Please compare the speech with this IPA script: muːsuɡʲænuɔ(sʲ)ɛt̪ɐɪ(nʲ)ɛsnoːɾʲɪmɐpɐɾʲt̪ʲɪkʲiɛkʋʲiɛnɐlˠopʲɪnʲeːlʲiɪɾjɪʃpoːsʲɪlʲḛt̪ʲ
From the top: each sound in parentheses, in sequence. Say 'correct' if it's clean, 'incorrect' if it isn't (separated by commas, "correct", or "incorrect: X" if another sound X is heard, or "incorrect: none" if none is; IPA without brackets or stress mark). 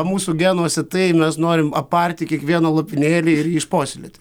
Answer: correct, incorrect: mʲ